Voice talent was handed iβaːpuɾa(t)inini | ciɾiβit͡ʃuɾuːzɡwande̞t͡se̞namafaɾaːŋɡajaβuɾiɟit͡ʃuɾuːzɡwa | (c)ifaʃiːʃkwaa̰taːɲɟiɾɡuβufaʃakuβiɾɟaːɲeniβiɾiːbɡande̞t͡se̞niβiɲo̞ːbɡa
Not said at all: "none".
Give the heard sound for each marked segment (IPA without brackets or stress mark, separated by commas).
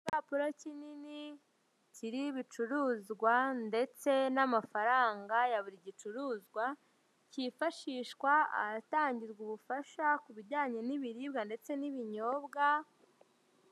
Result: c, c